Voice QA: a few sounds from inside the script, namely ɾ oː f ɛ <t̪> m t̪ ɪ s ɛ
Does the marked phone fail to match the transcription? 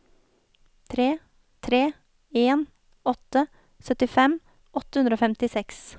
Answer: yes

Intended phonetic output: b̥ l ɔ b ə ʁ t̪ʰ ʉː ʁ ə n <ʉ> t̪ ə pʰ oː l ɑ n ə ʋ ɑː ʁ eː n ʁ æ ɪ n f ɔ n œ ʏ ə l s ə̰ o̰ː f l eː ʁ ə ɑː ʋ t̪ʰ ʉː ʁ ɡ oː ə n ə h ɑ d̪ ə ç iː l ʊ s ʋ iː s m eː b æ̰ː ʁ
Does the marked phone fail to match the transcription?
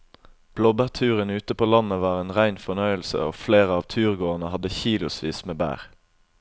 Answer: yes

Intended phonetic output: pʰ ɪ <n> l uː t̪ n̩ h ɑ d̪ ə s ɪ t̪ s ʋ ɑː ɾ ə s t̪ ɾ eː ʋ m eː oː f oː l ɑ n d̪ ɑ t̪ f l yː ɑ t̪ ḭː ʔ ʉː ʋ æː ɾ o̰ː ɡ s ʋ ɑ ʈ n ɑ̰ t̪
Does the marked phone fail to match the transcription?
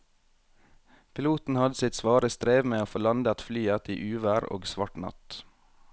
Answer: yes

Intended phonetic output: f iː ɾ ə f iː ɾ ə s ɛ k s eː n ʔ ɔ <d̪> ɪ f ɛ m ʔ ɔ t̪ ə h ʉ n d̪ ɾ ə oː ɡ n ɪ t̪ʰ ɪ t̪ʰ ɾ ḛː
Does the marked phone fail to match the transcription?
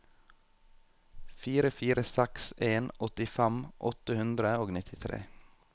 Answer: yes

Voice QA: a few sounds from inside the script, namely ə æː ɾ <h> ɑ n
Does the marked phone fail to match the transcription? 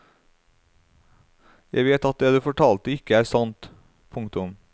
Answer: yes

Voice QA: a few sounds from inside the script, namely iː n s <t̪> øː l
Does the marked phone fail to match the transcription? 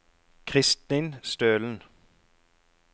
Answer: no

